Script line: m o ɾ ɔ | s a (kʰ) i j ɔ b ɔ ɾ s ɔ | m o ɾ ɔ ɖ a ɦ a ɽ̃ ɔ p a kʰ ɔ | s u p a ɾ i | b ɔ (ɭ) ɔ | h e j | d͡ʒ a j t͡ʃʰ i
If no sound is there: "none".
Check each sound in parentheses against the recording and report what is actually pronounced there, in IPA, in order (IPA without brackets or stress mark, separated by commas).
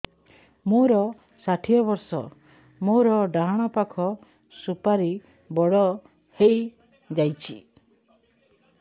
ʈʰ, ɽ